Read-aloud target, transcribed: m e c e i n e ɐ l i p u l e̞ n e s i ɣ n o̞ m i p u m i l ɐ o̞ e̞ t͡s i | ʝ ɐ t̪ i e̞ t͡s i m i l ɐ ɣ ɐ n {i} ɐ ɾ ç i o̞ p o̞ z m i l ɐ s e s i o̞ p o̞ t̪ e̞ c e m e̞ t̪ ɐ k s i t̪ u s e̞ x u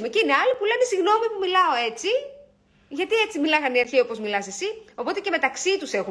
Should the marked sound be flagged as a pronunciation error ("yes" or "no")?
no